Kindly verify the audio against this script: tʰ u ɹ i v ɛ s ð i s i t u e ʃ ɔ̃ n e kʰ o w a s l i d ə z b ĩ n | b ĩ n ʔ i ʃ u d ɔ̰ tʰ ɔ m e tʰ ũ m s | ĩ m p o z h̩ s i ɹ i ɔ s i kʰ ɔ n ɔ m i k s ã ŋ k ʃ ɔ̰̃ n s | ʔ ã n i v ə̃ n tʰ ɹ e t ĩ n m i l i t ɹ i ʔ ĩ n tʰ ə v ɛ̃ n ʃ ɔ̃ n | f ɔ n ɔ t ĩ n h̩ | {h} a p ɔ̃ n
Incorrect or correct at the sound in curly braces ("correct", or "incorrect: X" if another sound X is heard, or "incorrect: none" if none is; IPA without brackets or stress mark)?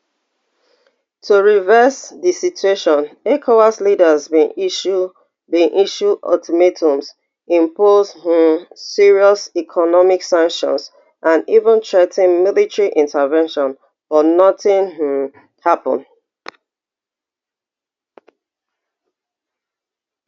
correct